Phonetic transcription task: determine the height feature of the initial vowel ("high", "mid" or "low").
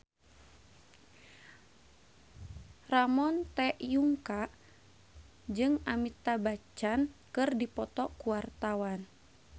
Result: low